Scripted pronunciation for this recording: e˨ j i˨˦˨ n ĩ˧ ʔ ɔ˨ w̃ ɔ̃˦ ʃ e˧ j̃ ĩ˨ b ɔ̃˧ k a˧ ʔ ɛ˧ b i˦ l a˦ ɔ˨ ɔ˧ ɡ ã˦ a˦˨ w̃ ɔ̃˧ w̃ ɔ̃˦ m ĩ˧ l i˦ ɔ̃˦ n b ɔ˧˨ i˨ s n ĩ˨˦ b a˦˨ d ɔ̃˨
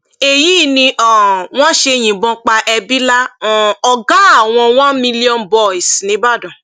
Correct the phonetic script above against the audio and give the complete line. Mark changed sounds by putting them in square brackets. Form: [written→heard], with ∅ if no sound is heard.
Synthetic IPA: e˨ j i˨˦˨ n ĩ˧ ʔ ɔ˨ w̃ ɔ̃˦ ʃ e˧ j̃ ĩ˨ b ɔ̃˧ [k→k͡p] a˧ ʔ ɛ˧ b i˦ l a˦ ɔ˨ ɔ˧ ɡ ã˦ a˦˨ w̃ ɔ̃˧ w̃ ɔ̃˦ m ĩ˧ l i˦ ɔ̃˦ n b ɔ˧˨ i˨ s n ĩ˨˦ b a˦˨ d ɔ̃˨